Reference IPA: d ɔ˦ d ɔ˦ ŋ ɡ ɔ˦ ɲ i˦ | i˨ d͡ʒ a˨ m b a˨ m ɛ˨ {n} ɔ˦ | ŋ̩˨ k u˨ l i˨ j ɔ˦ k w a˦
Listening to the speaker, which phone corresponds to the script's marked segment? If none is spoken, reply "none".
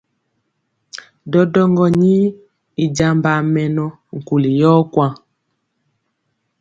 n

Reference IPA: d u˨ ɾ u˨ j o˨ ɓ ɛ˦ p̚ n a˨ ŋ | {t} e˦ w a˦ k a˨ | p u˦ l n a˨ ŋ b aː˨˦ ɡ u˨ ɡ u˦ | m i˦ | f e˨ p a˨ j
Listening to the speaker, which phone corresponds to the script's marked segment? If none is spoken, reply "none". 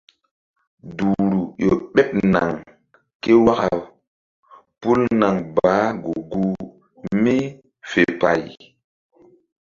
k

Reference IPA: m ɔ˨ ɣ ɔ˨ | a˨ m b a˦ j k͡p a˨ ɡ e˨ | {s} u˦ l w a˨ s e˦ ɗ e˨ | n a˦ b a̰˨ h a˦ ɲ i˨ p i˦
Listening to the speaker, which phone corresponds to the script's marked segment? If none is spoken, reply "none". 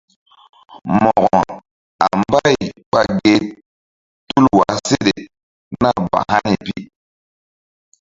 t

